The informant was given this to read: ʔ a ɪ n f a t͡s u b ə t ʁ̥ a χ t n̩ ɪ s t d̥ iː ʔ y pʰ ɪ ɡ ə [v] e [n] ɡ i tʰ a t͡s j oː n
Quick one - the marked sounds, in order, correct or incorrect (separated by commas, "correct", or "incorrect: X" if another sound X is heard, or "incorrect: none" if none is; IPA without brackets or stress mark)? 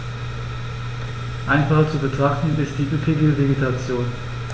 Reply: correct, incorrect: none